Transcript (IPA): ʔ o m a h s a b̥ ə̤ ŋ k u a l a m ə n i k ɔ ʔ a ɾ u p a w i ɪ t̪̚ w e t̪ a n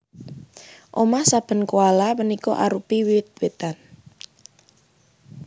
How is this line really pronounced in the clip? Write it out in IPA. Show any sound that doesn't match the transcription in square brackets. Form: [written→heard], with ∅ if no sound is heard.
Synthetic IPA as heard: ʔ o m a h s a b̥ ə̤ [ŋ→n] k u a l a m ə n i k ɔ ʔ a ɾ u p [a→i] w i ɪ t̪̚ w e t̪ a n